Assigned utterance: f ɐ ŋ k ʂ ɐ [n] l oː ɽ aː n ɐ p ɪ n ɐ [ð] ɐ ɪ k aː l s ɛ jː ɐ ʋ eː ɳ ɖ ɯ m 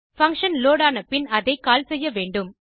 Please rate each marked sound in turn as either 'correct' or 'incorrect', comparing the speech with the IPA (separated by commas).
correct, correct